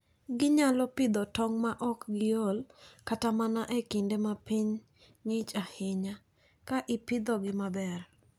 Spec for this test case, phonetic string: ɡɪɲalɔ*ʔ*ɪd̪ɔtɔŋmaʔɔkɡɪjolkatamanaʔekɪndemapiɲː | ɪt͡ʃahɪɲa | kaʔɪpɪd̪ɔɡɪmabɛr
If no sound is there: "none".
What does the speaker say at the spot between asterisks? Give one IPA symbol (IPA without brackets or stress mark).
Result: p